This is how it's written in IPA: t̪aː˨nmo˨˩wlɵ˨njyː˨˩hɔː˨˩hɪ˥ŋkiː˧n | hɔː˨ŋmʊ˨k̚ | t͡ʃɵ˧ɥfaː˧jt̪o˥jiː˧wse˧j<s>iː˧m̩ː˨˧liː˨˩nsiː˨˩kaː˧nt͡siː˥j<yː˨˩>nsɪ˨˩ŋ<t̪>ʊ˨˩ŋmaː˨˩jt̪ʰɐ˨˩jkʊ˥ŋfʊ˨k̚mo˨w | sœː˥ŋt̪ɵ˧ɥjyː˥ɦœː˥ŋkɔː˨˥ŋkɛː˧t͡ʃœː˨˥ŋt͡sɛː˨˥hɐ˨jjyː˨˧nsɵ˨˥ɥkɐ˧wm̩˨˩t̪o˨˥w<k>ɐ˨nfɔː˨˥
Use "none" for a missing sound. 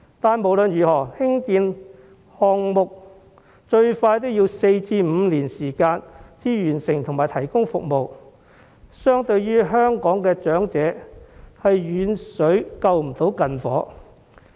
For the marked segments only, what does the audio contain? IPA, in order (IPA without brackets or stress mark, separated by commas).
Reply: t͡s, yː˨˩, t̪ʰ, k